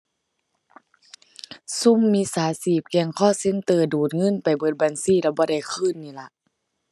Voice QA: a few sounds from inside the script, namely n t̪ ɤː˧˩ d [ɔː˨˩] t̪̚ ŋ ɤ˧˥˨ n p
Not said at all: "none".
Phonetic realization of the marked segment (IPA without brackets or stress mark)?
uː˨˩